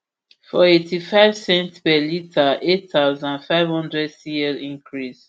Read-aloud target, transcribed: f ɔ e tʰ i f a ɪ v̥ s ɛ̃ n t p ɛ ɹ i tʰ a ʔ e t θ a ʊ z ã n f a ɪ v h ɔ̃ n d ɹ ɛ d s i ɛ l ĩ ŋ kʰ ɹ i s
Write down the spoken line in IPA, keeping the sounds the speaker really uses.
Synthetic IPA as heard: f ɔ e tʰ i f a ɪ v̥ s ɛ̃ n t p ɛ l i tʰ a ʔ e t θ a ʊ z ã n f a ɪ v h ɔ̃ n d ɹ ɛ d s i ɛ l ĩ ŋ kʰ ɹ i s